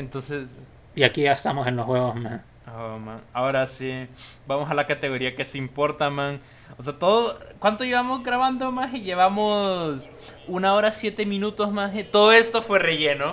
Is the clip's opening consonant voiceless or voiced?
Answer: voiced